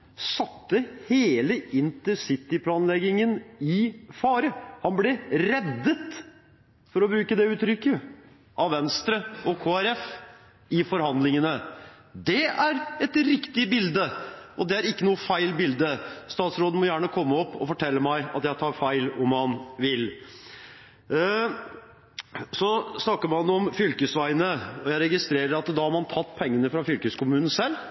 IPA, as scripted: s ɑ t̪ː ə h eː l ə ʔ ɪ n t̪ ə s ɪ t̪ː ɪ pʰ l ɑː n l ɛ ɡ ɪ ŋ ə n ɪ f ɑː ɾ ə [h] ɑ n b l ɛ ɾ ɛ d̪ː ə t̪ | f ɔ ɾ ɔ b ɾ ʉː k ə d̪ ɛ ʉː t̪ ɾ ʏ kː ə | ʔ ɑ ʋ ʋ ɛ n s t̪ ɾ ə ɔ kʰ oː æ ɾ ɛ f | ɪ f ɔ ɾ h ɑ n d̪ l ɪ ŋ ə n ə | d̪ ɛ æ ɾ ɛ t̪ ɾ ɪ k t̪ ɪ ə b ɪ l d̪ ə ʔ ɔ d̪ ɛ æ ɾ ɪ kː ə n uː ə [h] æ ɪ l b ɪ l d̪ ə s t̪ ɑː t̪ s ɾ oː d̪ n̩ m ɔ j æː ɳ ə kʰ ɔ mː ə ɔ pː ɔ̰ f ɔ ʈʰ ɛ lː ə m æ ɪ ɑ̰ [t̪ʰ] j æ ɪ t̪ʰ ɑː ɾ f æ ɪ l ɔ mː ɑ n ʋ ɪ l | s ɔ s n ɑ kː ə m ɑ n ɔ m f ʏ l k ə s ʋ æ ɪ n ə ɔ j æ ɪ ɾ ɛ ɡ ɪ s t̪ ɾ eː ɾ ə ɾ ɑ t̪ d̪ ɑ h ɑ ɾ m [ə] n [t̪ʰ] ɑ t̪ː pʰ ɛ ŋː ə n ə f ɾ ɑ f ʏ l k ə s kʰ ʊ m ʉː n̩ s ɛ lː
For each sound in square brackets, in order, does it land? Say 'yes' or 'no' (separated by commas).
yes, no, no, no, yes